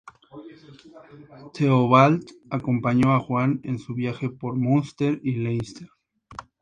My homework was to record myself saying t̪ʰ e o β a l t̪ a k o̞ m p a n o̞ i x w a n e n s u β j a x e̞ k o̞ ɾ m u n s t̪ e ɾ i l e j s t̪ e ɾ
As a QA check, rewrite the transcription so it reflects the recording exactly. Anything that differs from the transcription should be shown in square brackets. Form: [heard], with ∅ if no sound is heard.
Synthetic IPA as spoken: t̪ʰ e o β a l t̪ a k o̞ m p a [ɲ] o̞ [a] x w a n e n s u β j a x e̞ [p] o̞ ɾ m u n s t̪ e ɾ i l e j s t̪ e ɾ